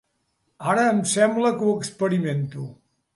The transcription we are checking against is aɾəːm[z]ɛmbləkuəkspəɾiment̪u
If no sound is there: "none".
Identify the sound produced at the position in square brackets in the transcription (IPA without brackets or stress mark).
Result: s